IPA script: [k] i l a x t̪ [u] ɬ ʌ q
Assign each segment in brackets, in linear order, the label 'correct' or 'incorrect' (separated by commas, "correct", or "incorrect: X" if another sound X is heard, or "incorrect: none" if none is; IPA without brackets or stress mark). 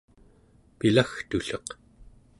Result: incorrect: p, correct